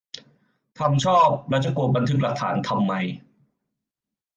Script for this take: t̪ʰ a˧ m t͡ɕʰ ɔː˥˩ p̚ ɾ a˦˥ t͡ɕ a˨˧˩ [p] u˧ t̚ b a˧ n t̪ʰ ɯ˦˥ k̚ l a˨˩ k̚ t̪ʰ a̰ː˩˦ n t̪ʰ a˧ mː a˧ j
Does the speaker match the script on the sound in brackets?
no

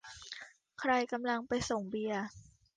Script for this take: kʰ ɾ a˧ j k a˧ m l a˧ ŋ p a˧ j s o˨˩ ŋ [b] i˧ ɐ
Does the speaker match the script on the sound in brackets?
yes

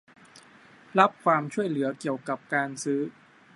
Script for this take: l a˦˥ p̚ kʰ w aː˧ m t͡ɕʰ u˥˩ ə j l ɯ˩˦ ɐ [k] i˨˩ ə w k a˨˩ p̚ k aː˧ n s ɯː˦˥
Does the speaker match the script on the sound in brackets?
yes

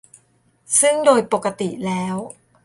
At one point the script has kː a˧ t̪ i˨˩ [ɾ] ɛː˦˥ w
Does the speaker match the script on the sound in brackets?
no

